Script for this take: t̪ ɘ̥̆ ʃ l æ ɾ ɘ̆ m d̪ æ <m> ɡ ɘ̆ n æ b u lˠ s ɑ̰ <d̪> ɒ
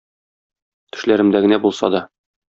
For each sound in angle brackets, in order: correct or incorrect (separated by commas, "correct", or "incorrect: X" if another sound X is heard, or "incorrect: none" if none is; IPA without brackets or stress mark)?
incorrect: none, correct